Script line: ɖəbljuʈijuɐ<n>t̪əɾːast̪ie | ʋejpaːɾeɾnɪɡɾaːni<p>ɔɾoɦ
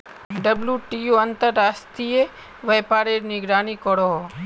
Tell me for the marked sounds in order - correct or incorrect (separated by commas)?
correct, incorrect